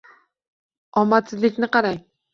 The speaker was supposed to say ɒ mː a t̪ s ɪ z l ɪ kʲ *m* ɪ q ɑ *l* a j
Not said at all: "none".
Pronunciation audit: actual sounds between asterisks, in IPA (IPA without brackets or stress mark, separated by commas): n, ɾ